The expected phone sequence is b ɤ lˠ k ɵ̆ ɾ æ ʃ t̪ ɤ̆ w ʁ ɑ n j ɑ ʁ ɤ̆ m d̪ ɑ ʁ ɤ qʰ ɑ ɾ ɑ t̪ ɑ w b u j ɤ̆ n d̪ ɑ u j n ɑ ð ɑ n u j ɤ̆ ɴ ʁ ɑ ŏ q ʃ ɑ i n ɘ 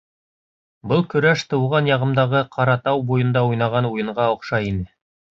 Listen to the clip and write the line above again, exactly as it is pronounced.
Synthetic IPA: b ɤ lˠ k ɵ̆ ɾ æ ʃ t̪ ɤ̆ w ʁ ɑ n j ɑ ʁ ɤ̆ m d̪ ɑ ʁ ɤ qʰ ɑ ɾ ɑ t̪ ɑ w b u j ɤ̆ n d̪ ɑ u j n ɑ ʁ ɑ n u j ɤ̆ ɴ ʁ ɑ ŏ q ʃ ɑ i n ɘ